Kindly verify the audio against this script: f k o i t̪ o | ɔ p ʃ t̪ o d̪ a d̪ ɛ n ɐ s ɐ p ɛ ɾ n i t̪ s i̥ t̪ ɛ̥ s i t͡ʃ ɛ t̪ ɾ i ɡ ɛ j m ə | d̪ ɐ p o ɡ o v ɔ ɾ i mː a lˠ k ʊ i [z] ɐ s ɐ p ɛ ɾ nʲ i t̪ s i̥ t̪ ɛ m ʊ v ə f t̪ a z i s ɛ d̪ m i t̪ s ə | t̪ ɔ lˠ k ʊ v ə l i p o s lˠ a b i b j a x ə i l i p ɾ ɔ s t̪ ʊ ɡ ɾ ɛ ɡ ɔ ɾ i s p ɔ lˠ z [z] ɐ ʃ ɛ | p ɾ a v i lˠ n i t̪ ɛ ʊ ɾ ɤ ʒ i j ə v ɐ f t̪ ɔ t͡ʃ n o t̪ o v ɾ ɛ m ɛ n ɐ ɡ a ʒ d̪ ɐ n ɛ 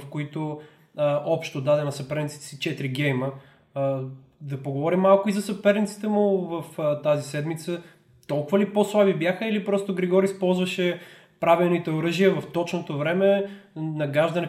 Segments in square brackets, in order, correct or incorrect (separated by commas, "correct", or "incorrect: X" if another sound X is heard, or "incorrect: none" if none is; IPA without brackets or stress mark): correct, incorrect: v